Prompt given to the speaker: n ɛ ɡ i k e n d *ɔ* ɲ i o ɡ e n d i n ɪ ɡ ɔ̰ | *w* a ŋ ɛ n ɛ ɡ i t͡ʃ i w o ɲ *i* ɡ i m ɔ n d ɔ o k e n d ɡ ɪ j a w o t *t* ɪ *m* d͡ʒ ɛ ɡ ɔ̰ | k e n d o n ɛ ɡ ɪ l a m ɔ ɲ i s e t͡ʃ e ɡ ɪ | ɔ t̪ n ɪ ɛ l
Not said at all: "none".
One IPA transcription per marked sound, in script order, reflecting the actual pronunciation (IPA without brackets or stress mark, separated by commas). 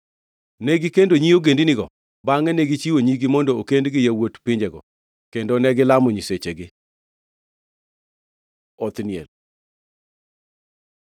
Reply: o, b, i, p, ɲ